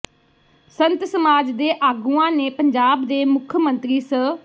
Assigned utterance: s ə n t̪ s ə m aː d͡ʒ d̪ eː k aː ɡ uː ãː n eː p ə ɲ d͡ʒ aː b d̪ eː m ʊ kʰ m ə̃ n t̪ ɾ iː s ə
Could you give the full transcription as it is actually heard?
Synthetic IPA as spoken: s ə n t̪ s ə m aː d͡ʒ d̪ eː ʔ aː ɡ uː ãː n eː p ə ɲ d͡ʒ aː b d̪ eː m ʊ kʰ m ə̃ n t̪ ɾ iː s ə